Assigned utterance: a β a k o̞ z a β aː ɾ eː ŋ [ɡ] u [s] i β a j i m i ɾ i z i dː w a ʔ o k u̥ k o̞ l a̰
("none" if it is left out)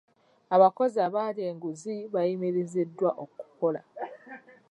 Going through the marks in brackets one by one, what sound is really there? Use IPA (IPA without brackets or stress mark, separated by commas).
ɡ, z